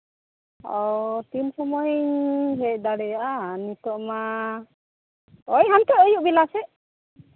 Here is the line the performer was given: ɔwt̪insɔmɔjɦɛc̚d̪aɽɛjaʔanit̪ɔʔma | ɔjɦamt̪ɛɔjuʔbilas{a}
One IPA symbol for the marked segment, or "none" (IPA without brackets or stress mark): ɛ